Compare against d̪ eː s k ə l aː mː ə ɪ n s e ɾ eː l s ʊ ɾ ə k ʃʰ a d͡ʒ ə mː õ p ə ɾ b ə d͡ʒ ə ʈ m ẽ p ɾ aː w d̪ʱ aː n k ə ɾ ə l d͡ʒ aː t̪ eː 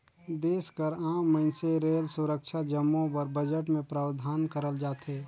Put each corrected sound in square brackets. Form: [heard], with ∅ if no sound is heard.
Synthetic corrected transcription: d̪ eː s k ə [ɾ] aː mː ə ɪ n s e ɾ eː l s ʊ ɾ ə k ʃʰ a d͡ʒ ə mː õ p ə ɾ b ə d͡ʒ ə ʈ m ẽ p ɾ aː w d̪ʱ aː n k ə ɾ ə l d͡ʒ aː t̪ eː